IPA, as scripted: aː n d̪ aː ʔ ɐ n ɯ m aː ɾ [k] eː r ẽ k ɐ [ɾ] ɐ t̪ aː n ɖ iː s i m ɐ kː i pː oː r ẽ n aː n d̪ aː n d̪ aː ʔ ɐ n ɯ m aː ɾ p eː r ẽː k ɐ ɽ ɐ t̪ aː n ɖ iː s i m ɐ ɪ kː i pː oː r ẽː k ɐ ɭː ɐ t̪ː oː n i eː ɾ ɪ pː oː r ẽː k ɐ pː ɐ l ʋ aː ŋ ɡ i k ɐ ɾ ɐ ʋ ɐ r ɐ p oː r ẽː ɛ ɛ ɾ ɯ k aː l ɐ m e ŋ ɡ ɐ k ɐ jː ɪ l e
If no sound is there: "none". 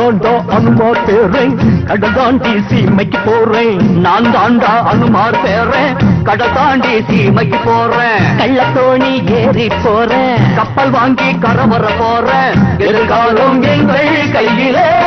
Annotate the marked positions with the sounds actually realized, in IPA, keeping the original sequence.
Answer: p, ɽ

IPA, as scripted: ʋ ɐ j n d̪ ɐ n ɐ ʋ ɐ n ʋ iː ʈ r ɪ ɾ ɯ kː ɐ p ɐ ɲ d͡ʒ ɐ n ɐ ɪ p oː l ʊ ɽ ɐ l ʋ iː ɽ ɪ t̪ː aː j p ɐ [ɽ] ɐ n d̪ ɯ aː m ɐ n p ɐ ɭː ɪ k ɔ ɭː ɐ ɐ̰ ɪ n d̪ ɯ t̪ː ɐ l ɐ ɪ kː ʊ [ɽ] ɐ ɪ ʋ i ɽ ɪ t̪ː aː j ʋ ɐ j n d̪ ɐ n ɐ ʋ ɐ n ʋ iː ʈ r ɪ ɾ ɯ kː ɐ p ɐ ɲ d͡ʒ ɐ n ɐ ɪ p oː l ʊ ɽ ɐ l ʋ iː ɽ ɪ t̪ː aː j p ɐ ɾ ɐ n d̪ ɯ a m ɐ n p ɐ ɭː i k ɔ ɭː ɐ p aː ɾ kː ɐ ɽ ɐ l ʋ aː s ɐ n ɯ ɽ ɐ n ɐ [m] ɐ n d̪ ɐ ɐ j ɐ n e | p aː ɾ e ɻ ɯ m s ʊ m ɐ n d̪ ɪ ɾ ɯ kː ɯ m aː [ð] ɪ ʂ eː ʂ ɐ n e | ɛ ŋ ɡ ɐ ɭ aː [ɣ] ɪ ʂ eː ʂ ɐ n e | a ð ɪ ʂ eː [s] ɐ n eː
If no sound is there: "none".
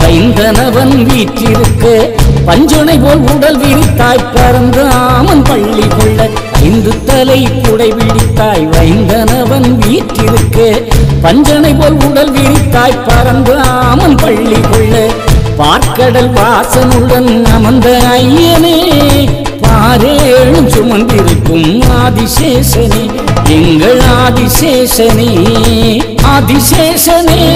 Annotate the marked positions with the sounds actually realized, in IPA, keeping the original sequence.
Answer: ɾ, ɽ, m, ð, ð, ʂ

